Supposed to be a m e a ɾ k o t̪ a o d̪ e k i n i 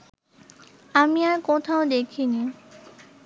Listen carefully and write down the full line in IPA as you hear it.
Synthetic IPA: a m i a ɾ k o t̪ʰ a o d̪ e kʰ i n i

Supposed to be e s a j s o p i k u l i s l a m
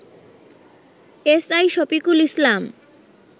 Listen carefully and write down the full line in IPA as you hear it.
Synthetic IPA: e s a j ʃ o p i k u l i s l a m

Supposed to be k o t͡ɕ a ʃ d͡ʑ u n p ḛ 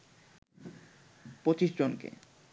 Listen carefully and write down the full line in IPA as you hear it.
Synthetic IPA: p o t͡ɕ i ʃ d͡ʑ o n k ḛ

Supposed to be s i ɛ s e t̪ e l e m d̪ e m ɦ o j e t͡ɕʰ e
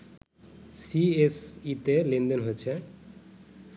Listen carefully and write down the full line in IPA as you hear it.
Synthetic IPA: s i e s i t̪ e l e n d̪ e n ɦ o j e t͡ɕʰ e

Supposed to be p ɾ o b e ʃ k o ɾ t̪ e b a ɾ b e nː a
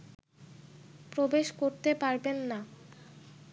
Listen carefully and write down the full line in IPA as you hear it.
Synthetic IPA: p ɾ o b e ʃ k o ɾ t̪ e p a ɾ b e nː a

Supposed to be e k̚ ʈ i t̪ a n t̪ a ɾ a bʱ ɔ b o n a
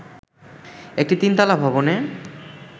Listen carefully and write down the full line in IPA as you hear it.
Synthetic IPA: e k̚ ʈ i t̪ i n t̪ a l a bʱ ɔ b o n e

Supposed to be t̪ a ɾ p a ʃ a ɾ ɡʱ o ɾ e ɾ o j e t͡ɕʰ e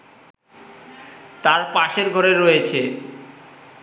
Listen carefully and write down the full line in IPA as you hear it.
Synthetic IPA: t̪ a ɾ p a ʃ e ɾ ɡʱ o ɾ e ɾ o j e t͡ɕʰ e

